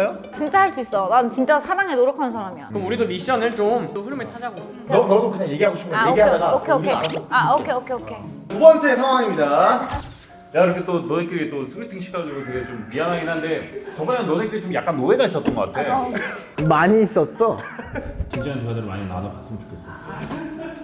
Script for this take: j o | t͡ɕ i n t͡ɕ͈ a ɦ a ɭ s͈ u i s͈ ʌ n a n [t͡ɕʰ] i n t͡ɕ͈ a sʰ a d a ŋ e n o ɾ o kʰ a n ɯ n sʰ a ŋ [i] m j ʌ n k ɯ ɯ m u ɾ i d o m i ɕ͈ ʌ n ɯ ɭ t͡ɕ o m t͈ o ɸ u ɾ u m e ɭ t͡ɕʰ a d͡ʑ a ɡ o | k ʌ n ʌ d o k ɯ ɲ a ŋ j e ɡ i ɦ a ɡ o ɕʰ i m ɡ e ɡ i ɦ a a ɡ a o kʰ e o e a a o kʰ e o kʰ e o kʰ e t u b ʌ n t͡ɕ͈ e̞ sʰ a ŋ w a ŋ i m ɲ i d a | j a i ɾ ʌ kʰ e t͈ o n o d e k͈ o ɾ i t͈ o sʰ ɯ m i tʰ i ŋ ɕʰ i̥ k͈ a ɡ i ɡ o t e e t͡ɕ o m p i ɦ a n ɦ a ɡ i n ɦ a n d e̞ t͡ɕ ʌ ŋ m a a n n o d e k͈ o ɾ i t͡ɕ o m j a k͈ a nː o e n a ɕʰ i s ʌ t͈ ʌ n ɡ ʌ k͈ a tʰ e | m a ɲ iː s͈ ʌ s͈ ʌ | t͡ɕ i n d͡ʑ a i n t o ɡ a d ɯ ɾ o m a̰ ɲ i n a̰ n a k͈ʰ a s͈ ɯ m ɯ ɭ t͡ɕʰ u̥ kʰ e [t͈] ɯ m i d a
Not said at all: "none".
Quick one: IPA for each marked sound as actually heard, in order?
t͡ɕ, a, s͈

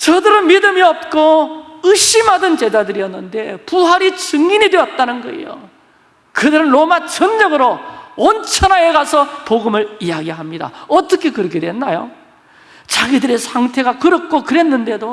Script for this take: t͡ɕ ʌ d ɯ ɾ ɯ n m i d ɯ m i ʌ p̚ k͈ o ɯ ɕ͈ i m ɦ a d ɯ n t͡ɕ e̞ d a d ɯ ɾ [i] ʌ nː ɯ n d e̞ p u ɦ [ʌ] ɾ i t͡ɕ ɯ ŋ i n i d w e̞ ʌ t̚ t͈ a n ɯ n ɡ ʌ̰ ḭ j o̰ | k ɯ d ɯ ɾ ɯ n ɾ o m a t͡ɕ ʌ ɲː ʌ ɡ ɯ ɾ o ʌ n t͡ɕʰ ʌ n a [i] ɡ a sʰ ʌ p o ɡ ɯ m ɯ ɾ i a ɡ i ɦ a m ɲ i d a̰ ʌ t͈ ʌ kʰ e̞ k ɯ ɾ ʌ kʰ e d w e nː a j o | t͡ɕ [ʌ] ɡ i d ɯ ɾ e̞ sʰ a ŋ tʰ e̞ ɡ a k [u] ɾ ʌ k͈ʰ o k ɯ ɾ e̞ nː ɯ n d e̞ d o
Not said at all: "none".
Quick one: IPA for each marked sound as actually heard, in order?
i, a, e, a, ɯ

